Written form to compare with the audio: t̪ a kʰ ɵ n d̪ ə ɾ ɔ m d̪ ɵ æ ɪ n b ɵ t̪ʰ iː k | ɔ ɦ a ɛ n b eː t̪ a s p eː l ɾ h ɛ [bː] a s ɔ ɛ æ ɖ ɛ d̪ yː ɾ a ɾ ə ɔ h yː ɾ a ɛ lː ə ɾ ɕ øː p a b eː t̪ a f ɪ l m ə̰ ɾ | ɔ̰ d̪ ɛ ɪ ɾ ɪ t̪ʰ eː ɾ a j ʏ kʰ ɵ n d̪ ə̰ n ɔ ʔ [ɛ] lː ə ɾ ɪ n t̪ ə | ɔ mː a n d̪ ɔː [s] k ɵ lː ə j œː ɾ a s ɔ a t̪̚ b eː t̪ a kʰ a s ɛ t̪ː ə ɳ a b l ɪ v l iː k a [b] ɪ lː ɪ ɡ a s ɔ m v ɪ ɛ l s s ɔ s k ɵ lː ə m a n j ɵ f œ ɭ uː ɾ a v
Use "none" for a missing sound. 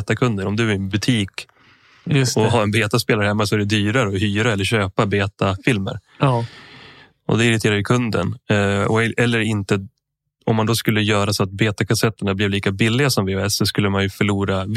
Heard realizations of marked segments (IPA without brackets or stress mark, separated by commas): mː, ɛ, s, b